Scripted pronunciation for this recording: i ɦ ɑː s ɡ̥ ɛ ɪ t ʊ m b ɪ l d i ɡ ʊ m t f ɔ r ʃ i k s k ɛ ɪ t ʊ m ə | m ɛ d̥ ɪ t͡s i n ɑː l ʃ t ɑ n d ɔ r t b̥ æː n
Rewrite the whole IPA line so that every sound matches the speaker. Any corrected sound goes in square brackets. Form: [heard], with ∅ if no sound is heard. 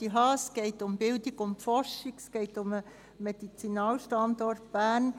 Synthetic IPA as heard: i ɦ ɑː s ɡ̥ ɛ ɪ t ʊ m b ɪ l d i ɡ ʊ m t f ɔ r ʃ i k s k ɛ ɪ t ʊ m ə | m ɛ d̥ [i] t͡s i n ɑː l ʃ t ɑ n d ɔ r t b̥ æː n